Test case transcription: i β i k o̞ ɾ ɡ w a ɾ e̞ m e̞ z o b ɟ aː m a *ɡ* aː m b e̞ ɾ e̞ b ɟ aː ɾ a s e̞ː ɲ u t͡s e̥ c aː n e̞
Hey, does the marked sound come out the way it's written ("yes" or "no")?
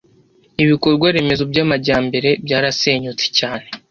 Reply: no